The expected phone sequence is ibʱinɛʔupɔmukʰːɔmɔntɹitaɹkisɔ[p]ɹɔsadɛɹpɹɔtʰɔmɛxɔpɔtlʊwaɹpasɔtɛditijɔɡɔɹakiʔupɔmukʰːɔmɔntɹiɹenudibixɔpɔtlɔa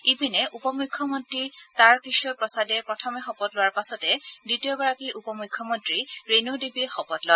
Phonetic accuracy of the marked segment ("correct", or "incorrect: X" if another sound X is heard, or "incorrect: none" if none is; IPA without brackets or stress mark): correct